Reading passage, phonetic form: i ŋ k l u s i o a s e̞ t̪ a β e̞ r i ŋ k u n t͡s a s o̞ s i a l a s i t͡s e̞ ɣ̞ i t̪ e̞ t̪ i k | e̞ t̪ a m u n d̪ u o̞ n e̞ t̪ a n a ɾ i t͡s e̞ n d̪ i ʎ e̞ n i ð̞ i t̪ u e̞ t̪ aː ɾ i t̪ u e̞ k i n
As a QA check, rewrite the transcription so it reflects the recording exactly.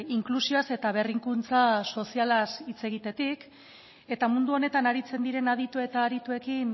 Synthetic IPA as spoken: i ŋ k l u s i o a s e̞ t̪ a β e̞ r i ŋ k u n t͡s a s o̞ s i a l a s i t͡s e̞ ɣ̞ i t̪ e̞ t̪ i k | e̞ t̪ a m u n d̪ u o̞ n e̞ t̪ a n a ɾ i t͡s e̞ n d̪ i ɾ e̞ n a ð̞ i t̪ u e̞ t̪ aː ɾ i t̪ u e̞ k i n